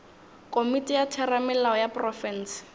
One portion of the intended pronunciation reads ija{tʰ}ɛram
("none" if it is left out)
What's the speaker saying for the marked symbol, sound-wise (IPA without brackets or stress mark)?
tʰ